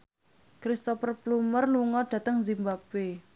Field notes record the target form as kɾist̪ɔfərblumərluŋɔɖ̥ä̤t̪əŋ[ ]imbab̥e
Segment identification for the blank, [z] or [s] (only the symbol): z